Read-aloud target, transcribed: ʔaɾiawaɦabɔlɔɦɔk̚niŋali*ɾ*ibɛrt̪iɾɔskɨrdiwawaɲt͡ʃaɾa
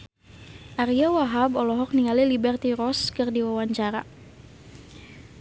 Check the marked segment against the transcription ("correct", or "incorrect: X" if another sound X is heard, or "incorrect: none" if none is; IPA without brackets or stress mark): incorrect: l